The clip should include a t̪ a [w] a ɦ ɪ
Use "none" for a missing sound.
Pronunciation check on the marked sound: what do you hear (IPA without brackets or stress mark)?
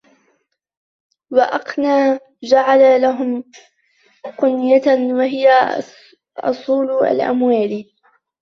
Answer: w